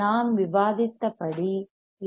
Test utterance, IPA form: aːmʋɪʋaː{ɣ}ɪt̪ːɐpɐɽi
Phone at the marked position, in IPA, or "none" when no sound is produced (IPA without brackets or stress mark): ð